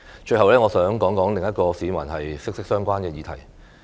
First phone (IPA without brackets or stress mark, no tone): t͡ʃ